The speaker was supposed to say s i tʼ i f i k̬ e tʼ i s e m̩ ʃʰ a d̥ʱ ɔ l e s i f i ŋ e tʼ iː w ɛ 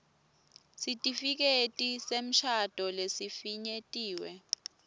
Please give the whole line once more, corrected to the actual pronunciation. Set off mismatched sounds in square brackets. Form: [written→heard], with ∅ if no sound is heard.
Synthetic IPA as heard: s i tʼ i f i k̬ e tʼ i s e m̩ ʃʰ a d̥ʱ ɔ l e s i f i [ŋ→ɲ] e tʼ iː w ɛ